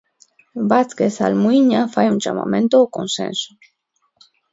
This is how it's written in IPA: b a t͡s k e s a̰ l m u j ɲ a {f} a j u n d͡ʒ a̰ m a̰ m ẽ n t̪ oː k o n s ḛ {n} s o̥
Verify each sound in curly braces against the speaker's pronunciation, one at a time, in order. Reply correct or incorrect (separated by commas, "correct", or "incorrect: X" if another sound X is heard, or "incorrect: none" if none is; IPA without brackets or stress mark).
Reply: correct, correct